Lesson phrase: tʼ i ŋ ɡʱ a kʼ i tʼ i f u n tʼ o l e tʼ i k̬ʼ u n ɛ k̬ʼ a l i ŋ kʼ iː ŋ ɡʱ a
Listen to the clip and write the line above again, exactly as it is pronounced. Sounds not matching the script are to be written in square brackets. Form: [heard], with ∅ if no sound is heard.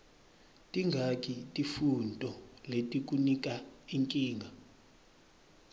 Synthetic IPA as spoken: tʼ i ŋ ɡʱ a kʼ i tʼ i f u n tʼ [ɔ] l e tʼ i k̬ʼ u n [i] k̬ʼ a [∅] i ŋ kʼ iː ŋ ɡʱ a